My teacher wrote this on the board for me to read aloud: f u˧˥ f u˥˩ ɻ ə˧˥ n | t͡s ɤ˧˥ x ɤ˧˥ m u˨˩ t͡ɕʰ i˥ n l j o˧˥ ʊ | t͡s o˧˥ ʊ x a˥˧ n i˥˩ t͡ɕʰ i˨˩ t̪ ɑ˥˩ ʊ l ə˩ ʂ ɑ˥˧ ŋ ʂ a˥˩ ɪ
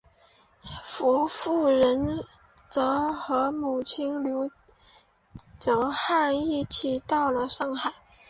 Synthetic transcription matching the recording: f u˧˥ f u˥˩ ɻ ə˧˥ n | t͡s ɤ˧˥ x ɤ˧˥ m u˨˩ t͡ɕʰ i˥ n l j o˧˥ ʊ | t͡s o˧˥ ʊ x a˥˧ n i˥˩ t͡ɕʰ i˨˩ t̪ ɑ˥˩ ʊ l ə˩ ʂ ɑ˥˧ ŋ x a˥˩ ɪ